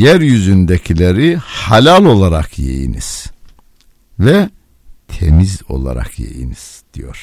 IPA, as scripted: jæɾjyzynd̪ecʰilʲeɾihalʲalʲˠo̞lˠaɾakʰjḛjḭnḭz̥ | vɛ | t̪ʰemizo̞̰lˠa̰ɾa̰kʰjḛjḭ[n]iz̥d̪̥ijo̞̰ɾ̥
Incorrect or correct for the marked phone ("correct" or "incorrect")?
correct